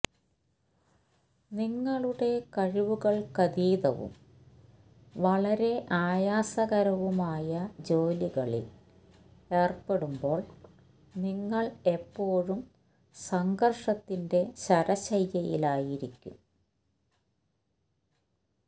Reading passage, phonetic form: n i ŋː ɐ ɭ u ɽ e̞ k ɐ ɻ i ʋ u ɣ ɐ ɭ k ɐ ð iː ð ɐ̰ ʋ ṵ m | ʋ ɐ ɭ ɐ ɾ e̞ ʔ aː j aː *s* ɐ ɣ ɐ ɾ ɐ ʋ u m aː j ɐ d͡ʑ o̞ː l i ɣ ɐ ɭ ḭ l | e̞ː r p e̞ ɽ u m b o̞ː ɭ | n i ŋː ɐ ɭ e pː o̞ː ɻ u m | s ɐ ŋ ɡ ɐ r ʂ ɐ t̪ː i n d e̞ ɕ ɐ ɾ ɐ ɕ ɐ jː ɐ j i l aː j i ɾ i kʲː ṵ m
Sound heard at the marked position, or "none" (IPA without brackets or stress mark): s